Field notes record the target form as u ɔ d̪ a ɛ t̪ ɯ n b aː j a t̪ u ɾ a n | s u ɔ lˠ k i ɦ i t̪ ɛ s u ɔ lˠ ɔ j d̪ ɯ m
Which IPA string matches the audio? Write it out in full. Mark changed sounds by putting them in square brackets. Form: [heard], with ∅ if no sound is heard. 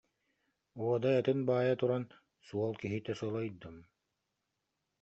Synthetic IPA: u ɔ d̪ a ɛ t̪ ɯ n b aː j a t̪ u ɾ a n | s u ɔ lˠ k i ɦ i t̪ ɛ s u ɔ lˠ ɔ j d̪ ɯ m